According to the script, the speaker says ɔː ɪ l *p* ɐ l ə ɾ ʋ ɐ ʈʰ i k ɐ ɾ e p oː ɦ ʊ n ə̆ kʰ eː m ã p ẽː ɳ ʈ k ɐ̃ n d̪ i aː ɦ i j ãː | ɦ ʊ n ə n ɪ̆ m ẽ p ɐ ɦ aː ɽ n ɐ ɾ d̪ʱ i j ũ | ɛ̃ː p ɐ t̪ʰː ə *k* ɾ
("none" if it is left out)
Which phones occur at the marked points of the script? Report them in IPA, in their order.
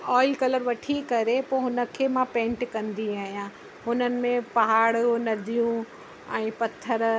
k, none

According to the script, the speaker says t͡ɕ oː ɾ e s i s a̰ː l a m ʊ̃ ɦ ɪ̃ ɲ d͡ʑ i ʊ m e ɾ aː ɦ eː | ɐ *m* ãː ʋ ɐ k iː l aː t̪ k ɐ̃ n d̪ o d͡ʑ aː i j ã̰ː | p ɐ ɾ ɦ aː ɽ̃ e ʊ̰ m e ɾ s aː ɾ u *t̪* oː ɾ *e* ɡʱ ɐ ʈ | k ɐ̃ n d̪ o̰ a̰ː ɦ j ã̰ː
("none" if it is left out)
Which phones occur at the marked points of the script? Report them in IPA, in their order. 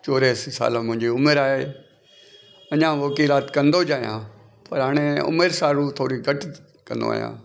ɲ, t̪ʰ, i

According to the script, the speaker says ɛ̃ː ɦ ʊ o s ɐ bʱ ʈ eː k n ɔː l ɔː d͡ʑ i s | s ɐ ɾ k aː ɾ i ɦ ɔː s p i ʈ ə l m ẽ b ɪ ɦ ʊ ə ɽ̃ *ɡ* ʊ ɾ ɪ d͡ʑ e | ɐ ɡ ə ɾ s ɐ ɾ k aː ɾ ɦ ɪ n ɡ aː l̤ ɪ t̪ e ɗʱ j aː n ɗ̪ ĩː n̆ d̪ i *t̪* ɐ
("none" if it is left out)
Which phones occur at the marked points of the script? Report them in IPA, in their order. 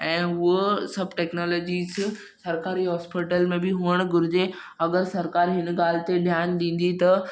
ɡ, t̪

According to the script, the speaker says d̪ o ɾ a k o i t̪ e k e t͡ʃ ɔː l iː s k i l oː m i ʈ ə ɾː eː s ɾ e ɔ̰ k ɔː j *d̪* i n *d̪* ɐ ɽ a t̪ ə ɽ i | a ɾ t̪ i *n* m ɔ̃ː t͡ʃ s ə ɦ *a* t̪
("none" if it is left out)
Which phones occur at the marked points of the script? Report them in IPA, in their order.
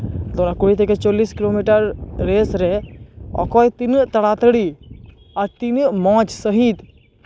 t̪, t̪, n, i

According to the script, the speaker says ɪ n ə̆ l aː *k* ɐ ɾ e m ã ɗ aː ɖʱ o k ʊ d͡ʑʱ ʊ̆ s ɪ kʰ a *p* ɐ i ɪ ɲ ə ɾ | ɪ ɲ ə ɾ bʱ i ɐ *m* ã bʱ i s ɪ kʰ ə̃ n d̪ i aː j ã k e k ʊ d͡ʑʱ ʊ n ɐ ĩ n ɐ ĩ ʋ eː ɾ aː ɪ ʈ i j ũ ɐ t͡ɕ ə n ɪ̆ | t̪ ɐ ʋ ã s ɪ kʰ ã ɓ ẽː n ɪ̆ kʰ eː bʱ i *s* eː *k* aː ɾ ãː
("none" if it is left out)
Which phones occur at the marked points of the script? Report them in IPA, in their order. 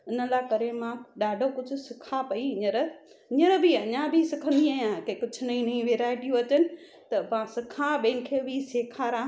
k, p, ɲ, s, kʰ

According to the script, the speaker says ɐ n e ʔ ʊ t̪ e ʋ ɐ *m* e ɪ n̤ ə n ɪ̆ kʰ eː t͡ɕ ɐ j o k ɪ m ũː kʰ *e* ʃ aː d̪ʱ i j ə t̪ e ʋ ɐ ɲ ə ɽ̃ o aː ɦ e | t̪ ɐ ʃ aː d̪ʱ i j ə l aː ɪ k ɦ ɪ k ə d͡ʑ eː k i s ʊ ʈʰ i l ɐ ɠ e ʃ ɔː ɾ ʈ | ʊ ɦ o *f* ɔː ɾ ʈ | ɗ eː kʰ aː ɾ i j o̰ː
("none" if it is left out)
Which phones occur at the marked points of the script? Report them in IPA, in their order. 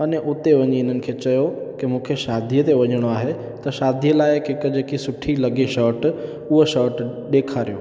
ɲ, e, ʃ

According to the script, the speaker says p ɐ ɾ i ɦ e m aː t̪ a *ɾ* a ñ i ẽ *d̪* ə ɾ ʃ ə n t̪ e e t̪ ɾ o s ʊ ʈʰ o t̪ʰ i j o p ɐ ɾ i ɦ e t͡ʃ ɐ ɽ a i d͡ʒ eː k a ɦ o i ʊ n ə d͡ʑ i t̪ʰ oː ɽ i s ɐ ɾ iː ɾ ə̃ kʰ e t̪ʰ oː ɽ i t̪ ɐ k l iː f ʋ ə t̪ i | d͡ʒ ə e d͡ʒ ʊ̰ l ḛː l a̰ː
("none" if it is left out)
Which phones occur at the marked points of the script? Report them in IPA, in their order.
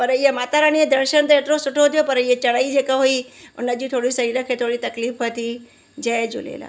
ɾ, d̪

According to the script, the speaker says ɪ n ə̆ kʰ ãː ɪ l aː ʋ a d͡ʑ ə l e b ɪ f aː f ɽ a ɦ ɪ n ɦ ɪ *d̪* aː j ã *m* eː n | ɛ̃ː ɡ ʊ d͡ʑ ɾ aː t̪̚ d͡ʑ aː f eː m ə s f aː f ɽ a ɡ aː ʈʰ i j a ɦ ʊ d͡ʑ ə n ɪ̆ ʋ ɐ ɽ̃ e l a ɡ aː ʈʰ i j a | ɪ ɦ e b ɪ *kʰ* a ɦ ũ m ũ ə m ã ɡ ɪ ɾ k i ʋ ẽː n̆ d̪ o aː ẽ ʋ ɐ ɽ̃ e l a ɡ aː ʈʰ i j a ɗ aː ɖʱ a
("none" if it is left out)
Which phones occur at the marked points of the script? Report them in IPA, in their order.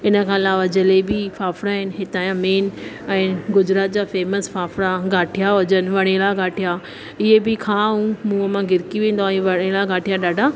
t̪, m, kʰ

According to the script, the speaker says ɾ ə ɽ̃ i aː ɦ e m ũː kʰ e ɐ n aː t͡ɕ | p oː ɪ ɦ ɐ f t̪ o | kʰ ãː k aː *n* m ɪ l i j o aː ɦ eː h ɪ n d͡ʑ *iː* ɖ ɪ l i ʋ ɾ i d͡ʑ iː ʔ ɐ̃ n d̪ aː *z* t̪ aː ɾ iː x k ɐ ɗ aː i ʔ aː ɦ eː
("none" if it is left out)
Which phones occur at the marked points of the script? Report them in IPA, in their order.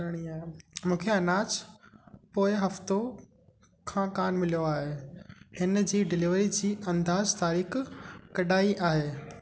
n, iː, z

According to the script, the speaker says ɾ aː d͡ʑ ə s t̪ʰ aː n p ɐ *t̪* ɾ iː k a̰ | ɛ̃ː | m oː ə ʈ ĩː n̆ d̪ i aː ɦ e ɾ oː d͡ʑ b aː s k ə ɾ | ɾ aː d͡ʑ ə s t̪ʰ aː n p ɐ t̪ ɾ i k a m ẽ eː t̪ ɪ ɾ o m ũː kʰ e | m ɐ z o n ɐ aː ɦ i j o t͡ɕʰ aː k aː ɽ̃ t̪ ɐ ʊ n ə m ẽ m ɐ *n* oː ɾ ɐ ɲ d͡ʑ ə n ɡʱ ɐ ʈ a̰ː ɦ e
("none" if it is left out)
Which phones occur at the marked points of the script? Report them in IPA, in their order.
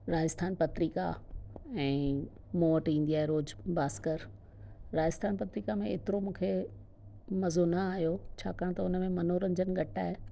t̪, n

